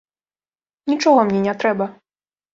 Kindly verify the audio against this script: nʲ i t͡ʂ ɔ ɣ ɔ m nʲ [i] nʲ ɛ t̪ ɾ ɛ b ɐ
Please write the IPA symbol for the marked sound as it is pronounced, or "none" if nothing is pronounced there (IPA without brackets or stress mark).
ɛ